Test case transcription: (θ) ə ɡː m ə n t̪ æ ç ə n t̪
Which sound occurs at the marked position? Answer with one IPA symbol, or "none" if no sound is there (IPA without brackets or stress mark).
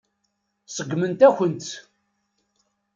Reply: s